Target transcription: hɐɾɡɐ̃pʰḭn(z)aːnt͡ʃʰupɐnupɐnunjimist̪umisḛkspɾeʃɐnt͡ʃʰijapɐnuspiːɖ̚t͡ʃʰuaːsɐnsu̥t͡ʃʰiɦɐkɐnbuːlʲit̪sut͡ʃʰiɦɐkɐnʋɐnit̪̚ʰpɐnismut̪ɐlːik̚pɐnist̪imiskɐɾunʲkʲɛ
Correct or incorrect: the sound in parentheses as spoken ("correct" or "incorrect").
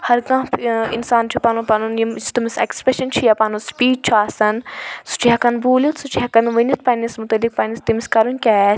incorrect